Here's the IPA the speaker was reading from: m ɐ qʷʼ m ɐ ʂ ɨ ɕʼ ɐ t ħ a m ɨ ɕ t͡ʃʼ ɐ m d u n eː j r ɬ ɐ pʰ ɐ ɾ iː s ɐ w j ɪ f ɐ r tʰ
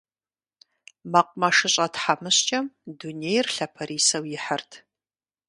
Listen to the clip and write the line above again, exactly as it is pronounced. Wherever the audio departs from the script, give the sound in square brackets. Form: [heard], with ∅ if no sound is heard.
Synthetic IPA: m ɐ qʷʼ m ɐ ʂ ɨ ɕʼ ɐ t ħ a m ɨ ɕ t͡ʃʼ ɐ m d u n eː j r ɬ ɐ pʰ ɐ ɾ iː s ɐ w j ɪ [ħ] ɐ r tʰ